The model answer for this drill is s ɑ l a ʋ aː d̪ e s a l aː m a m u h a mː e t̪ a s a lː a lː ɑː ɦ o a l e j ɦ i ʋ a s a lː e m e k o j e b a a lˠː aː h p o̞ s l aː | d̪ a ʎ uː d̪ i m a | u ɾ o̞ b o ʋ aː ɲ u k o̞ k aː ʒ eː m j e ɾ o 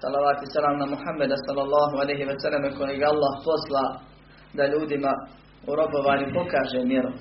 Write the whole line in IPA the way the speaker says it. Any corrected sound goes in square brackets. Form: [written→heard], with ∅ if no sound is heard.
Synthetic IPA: s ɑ l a ʋ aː [d̪→t̪] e s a l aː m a m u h a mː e [t̪→d̪] a s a lː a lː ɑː ɦ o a l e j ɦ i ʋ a s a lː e m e k o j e [b→ɡ] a a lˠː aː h p o̞ s l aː | d̪ a ʎ uː d̪ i m a | u ɾ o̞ b o ʋ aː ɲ u [k→p] o̞ k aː ʒ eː m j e ɾ o